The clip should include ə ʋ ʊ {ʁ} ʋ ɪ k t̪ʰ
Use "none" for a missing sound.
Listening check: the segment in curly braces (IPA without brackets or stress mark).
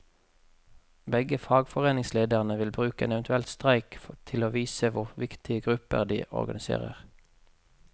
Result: ʁ